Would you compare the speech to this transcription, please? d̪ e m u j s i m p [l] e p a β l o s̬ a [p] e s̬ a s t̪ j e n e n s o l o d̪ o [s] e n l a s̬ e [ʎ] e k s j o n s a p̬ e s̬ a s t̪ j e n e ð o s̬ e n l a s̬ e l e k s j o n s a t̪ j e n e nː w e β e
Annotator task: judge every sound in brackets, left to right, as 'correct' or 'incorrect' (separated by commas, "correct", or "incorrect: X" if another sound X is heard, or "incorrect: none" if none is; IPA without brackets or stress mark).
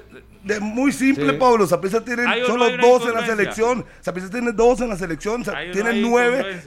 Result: correct, correct, correct, incorrect: l